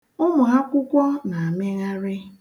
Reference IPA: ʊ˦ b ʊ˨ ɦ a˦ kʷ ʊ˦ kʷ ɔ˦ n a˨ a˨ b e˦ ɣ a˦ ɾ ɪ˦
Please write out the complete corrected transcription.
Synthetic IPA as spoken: ʊ˦ m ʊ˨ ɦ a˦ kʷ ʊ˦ kʷ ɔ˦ n a˨ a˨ m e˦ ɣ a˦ ɾ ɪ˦